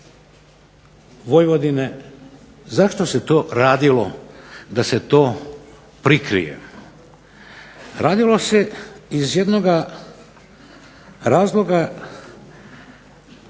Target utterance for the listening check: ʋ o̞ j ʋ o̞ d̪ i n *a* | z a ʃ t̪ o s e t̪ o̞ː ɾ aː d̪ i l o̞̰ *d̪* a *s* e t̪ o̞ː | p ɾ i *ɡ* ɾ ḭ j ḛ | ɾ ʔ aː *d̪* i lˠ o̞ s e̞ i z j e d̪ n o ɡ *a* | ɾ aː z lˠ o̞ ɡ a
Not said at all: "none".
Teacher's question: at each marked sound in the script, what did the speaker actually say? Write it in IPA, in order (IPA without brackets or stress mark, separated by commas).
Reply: e, d̪, s, k, d̪, a